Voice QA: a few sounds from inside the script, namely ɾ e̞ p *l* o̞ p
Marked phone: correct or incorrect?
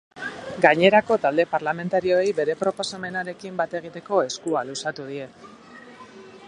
incorrect: ɾ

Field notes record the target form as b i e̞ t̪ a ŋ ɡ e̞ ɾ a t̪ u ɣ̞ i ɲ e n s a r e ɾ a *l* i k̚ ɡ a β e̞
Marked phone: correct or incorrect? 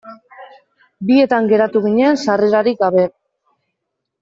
incorrect: ɾ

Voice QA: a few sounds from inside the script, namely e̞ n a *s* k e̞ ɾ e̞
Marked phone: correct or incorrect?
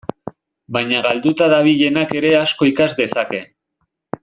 incorrect: none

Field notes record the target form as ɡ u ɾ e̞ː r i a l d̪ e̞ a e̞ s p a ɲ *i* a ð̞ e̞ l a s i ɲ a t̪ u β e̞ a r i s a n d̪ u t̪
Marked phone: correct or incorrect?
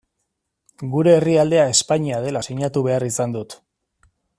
correct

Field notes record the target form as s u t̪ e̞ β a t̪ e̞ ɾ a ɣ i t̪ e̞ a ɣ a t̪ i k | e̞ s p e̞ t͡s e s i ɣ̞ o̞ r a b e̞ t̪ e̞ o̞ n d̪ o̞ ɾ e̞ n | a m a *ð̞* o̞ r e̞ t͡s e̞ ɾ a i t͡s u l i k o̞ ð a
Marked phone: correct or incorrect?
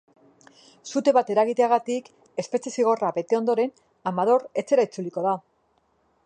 correct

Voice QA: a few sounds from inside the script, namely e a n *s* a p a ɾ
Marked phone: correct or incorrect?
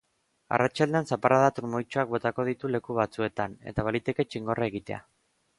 correct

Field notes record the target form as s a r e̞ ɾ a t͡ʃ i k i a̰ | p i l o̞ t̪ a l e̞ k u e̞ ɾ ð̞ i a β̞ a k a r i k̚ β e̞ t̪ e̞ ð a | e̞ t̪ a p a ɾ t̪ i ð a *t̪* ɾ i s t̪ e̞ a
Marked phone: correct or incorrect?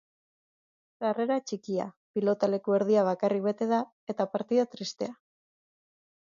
correct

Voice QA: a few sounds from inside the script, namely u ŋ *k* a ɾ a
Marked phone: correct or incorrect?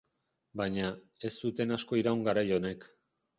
incorrect: ɡ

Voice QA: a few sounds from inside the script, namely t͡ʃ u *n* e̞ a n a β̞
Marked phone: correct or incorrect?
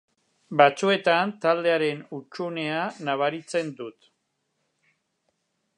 correct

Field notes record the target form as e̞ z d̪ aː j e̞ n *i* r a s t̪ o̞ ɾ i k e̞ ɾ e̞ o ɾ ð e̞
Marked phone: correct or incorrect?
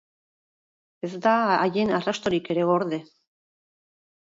incorrect: a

